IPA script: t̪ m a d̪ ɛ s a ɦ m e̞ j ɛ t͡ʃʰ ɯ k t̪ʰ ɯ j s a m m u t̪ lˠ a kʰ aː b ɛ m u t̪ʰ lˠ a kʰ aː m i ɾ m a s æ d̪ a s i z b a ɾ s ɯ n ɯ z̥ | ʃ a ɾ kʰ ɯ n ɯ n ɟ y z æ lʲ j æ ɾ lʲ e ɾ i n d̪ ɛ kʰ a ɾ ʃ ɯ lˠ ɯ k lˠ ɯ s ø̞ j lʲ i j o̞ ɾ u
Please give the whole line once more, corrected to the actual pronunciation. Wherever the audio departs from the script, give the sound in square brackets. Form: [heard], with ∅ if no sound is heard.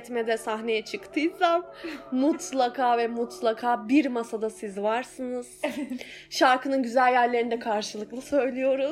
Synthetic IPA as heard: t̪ m [ɛ] d̪ ɛ s a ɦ [n] e̞ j ɛ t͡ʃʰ ɯ k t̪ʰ ɯ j s a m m u t̪ lˠ a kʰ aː [v] ɛ m u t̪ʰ lˠ a kʰ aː [b] i ɾ m a s [a] d̪ a s i z [v] a ɾ s ɯ n ɯ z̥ | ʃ a ɾ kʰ ɯ n ɯ n ɟ y z æ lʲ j æ ɾ lʲ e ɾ i n d̪ ɛ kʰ a ɾ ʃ ɯ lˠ ɯ k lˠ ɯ s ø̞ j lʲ i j o̞ ɾ u